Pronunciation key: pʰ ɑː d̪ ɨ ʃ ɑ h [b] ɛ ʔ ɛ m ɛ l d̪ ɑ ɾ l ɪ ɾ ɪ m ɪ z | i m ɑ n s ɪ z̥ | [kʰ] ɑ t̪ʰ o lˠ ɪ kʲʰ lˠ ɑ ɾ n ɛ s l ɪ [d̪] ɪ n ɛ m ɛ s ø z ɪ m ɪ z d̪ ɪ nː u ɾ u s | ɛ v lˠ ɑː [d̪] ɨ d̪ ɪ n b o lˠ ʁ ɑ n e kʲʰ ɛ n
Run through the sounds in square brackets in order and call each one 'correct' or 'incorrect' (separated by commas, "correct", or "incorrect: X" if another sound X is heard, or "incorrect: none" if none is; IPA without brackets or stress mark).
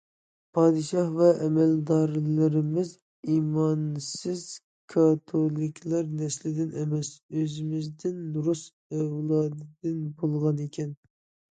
incorrect: v, correct, correct, correct